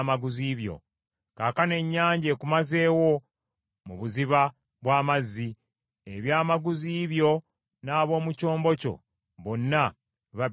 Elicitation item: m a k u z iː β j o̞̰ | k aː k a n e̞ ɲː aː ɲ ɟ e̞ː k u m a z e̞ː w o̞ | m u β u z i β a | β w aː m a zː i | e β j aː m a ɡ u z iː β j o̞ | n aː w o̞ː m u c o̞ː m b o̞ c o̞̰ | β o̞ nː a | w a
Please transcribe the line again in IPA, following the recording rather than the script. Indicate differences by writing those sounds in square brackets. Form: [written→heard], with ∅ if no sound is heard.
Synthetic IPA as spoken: m a [k→ɡ] u z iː β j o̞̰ | k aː k a n e̞ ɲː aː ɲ ɟ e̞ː k u m a z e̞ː w o̞ | m u β u z i β a | β w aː m a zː i | e β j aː m a ɡ u z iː β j o̞ | n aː [w→β] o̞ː m u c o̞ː m b o̞ c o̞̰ | β o̞ nː a | [w→β] a